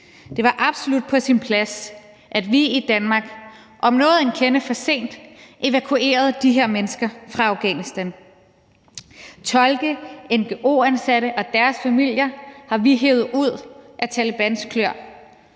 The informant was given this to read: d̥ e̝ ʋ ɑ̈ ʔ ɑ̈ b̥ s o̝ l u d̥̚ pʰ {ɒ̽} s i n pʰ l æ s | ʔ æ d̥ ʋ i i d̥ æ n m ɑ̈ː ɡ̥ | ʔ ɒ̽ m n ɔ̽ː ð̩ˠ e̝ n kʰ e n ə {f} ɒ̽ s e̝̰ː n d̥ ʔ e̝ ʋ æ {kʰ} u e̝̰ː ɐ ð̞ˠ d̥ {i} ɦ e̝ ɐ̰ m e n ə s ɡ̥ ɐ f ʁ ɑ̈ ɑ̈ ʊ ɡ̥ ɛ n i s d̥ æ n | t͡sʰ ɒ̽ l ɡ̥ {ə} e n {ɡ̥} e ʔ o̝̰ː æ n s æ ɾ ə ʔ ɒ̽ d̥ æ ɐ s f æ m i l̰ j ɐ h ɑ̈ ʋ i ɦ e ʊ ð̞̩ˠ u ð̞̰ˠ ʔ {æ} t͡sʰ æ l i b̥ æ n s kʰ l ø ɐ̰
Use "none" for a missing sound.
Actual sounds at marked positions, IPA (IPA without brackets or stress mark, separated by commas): ɒ̽, f, kʰ, i, ə, ɡ̥, æ